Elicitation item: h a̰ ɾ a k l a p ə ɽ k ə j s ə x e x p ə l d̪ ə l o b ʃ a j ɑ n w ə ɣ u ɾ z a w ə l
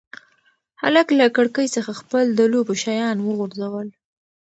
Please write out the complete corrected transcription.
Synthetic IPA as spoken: h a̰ l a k l a k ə ɽ k ə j s ə x a x p ə l d̪ ə l o b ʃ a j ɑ n w ə ɣ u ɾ z a w ə l